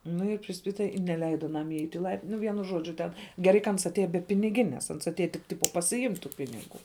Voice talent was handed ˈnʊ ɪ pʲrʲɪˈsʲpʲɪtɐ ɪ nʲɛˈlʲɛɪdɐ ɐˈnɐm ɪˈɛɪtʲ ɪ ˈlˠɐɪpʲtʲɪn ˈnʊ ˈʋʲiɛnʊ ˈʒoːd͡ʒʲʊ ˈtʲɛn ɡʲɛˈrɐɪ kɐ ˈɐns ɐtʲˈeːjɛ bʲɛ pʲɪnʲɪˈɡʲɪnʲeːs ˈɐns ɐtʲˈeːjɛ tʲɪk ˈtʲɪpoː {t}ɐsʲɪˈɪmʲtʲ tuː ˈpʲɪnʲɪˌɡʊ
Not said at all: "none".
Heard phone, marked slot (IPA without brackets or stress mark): p